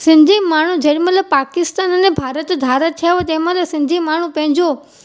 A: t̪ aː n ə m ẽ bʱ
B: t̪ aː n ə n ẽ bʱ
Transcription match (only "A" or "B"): B